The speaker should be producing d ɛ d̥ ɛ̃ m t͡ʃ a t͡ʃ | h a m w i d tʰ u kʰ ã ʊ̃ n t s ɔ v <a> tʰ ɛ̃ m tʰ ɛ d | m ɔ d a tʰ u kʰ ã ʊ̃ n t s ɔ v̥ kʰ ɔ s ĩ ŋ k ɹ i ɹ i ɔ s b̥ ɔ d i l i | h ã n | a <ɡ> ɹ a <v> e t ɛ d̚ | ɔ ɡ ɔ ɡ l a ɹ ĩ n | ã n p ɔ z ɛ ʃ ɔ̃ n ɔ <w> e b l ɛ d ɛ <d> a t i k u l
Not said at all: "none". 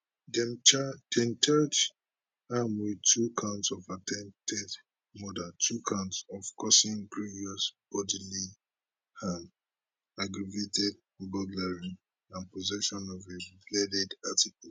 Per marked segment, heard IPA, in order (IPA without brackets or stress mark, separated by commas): a, ɡ, v, v, d